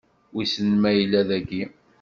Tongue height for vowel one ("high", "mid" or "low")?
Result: high